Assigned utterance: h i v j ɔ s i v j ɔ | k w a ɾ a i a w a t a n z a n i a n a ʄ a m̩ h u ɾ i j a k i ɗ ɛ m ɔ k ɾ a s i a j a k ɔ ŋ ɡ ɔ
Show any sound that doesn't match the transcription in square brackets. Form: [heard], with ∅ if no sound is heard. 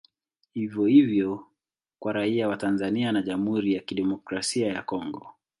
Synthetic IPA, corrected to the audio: h i v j ɔ [h] i v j ɔ | k w a ɾ a i a w a t a n z a n i a n a ʄ a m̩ h u ɾ i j a k i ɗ ɛ m ɔ k ɾ a s i a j a k ɔ ŋ ɡ ɔ